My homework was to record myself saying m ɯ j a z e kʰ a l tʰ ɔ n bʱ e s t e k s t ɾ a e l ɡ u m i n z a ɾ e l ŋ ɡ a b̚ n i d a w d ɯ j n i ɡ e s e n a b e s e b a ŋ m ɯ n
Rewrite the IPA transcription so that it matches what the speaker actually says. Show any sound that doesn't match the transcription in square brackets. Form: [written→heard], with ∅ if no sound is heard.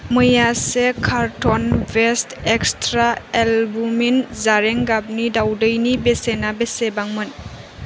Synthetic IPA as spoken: m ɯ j a [z→s] e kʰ a [l→ɾ] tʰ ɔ n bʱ e s t e k s t ɾ a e l [ɡ→b] u m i n z a ɾ e [l→∅] ŋ ɡ a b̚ n i d a w d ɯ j n i [ɡ→b] e s e n a b e s e b a ŋ m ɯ n

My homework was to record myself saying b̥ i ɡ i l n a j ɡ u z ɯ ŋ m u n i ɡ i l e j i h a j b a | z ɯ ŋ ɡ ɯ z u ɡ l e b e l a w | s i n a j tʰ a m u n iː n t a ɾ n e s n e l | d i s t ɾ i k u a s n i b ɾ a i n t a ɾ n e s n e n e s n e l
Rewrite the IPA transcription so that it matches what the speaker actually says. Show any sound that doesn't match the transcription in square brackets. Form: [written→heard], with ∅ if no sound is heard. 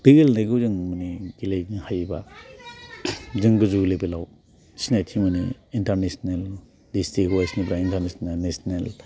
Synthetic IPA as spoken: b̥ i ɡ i l n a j ɡ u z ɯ ŋ m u n i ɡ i l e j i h a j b a | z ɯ ŋ ɡ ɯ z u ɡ l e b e l a w | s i n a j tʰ [a→i] m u n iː n t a ɾ n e s n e l | d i s t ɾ i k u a s n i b ɾ a i n t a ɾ n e s n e n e s n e l

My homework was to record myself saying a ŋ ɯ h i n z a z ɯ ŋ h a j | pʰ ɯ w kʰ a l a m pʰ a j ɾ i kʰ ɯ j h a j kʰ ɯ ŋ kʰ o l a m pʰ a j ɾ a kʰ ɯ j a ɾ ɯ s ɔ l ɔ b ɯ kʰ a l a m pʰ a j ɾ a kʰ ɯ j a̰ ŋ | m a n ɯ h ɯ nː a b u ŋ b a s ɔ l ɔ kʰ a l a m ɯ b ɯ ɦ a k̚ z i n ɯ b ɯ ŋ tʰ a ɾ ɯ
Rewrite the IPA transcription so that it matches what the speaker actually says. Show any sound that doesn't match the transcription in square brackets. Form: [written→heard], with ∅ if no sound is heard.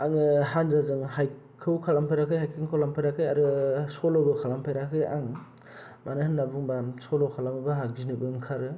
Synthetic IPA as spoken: a ŋ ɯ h [i→a] n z a z ɯ ŋ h a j | [pʰ→kʰ] ɯ w kʰ a l a m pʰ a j ɾ [i→a] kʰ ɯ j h a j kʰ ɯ ŋ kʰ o l a m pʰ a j ɾ a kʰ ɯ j a ɾ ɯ s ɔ l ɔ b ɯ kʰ a l a m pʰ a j ɾ a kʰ ɯ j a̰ ŋ | m a n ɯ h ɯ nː a b u ŋ b a s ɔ l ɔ kʰ a l a m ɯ b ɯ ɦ a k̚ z i n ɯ b ɯ ŋ [tʰ→kʰ] a ɾ ɯ

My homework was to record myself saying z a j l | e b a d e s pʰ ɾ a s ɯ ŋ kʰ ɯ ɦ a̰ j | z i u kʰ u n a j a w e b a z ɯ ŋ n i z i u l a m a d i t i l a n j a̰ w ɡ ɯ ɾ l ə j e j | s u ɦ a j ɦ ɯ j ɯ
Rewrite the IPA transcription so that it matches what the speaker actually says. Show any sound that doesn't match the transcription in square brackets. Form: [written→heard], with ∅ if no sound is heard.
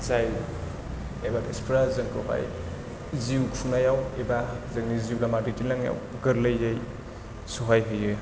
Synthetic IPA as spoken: z a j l | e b a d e s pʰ ɾ a [s→z] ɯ ŋ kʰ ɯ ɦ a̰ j | z i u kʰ u n a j a w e b a z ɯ ŋ n i z i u l a m a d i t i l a [n→ŋ] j a̰ w ɡ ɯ ɾ l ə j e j | s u ɦ a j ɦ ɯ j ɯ

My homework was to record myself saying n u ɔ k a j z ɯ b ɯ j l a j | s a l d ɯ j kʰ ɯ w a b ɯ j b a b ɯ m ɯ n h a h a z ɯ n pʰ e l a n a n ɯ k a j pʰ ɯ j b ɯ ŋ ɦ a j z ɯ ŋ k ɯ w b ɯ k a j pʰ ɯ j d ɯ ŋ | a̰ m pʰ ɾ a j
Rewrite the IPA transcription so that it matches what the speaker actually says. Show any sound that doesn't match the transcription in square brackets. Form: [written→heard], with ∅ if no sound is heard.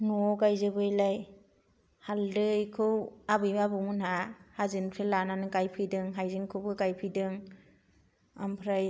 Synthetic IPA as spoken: n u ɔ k a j z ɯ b ɯ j l a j | [s→h] a l d ɯ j kʰ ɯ w a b ɯ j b a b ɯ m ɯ n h a h a z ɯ n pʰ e l a n a n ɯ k a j pʰ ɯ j [b→d] ɯ ŋ ɦ a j z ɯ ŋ [k→kʰ] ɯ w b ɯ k a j pʰ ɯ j d ɯ ŋ | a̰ m pʰ ɾ a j

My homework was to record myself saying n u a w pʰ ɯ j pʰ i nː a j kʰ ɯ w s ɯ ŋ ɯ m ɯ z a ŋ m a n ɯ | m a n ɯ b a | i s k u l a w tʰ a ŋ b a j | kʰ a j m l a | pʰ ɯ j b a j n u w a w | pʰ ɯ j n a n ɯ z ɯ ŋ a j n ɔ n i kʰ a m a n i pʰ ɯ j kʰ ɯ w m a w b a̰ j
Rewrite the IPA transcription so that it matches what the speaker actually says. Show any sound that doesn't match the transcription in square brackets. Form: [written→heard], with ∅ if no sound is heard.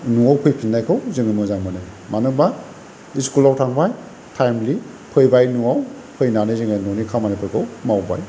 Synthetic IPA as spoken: n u a w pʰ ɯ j pʰ i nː a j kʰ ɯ w [s→z] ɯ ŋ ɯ m ɯ z a ŋ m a n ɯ | m a n ɯ b a | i s k u l a w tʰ a ŋ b a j | [kʰ→tʰ] a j m l [a→i] | pʰ ɯ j b a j n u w a w | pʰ ɯ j n a n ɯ z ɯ ŋ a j n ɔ n i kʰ a m a n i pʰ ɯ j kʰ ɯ w m a w b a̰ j

